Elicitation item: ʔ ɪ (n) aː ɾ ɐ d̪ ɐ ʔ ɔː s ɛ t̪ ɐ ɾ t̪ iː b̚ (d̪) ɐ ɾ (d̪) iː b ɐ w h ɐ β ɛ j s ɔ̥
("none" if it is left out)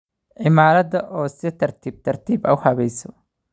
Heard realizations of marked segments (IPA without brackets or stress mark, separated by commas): m, t̪, t̪